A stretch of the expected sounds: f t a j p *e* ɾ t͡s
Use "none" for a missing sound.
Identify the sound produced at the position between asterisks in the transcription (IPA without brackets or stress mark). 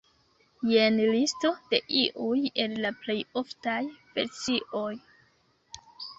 e